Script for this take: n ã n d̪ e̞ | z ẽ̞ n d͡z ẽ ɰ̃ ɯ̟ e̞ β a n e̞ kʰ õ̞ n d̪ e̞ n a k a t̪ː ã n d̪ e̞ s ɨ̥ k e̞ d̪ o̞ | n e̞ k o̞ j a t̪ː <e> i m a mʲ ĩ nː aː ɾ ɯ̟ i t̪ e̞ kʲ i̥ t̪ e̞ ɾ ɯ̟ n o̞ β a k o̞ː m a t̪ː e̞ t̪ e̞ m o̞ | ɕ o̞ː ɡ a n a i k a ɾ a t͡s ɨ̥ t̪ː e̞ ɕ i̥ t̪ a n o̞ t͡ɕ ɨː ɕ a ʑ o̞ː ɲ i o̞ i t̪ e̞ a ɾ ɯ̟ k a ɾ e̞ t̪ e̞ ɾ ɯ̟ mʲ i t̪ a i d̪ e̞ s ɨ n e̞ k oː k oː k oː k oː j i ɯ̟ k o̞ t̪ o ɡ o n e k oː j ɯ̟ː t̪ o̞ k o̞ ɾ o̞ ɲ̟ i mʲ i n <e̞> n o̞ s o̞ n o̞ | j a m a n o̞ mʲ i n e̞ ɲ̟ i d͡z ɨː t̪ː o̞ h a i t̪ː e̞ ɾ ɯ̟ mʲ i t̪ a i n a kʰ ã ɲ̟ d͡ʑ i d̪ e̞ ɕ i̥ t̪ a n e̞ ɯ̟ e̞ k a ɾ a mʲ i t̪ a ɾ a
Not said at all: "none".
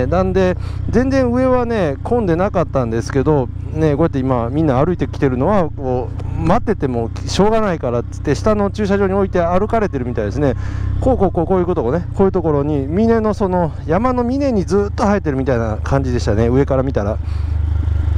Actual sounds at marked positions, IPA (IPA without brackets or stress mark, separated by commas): e, e̞